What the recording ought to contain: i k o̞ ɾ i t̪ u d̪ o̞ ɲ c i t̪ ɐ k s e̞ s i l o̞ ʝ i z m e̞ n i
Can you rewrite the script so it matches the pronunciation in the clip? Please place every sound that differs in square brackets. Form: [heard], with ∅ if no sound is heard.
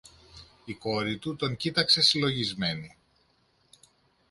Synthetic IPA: i k o̞ ɾ i t̪ u [t̪] o̞ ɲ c i t̪ ɐ k s e̞ s i l o̞ ʝ i z m e̞ n i